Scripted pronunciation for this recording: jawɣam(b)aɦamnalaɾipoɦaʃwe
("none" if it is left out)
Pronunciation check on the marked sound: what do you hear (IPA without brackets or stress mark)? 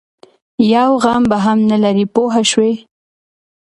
b